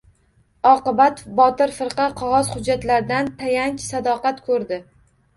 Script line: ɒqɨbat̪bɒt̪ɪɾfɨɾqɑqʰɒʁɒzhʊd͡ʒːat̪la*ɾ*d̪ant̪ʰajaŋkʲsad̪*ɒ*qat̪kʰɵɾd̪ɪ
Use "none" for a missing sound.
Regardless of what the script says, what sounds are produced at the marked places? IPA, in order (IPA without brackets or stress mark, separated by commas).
ɾ, ɒ